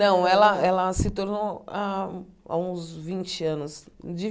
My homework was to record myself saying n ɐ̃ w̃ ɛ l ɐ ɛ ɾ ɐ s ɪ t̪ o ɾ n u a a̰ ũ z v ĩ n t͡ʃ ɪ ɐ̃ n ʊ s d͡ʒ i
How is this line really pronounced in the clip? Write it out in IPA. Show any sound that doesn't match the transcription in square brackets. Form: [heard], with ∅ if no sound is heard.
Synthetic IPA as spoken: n ɐ̃ w̃ ɛ l ɐ ɛ [l] ɐ s ɪ t̪ o ɾ n [o] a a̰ ũ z v ĩ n t͡ʃ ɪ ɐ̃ n ʊ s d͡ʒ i